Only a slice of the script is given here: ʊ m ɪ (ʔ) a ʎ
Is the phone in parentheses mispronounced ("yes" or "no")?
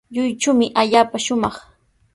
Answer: no